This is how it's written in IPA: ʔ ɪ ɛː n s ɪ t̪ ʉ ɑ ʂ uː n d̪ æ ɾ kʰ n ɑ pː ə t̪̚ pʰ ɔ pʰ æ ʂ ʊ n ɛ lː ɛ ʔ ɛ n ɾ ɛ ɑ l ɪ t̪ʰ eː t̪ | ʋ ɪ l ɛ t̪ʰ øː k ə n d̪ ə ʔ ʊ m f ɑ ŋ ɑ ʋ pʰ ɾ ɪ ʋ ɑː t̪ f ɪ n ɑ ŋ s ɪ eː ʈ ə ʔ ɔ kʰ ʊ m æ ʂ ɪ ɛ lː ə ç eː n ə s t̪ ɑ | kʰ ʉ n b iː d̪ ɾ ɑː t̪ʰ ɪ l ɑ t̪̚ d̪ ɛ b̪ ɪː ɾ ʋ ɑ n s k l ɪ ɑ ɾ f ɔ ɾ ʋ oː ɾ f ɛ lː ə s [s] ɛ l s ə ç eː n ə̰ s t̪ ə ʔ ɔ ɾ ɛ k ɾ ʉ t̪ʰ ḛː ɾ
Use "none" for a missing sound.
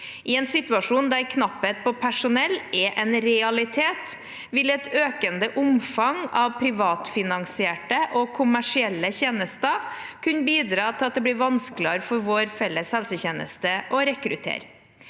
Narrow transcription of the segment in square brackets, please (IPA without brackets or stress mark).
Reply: h